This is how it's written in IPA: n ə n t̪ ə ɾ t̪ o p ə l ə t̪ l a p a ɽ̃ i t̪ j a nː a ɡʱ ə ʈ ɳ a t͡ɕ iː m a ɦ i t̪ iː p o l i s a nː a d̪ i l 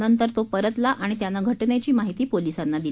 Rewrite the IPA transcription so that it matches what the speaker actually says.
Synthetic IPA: n ə n t̪ ə ɾ t̪ o p ə ɾ ə t̪ l a ʔ a ɽ̃ i t̪ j a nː a ɡʱ ə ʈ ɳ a t͡ɕ iː m a ɦ i t̪ iː p o l i s a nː a d̪ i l